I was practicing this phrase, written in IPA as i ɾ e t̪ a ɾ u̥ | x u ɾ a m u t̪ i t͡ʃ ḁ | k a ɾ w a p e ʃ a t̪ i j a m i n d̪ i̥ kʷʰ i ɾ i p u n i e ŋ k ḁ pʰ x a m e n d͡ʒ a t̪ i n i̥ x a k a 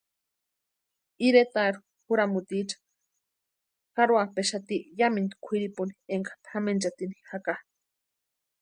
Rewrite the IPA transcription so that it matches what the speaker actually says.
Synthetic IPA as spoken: i ɾ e t̪ a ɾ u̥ | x u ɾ a m u t̪ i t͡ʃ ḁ | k a ɾ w a p e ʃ a t̪ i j a m i n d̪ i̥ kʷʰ i ɾ i p u n i e ŋ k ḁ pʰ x a m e n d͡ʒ a t̪ i n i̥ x a k a